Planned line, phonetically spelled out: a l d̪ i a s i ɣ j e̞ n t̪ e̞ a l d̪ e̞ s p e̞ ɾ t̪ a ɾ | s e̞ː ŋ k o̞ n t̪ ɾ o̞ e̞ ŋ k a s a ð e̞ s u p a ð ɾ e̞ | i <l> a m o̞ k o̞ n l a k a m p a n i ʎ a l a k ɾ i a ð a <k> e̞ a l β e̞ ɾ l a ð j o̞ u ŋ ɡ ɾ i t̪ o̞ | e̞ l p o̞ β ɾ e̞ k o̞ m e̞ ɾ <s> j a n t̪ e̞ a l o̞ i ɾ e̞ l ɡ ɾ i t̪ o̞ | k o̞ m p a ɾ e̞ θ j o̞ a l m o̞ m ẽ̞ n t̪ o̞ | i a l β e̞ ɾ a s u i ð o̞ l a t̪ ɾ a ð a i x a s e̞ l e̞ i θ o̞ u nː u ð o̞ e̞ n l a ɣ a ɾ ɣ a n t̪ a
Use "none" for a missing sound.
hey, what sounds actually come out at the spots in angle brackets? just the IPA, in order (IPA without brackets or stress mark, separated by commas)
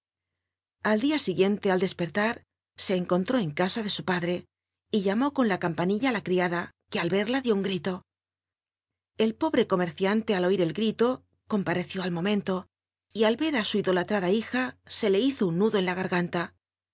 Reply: ʎ, k, θ